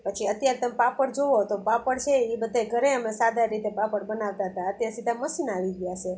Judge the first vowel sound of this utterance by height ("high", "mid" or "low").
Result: mid